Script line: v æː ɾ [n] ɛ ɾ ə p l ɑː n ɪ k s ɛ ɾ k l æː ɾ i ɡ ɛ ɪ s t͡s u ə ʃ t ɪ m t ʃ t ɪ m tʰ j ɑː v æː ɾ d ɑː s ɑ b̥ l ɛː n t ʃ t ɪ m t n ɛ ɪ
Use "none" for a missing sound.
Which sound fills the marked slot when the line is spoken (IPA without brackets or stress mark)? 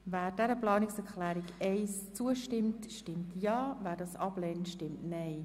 d